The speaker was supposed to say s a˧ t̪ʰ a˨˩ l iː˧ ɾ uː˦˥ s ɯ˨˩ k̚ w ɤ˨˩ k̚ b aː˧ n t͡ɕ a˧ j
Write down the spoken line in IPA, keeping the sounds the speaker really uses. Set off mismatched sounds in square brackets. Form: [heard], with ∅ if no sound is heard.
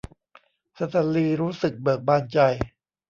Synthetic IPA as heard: s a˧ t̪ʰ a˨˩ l iː˧ ɾ uː˦˥ s ɯ˨˩ k̚ [b] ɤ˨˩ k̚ b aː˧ n t͡ɕ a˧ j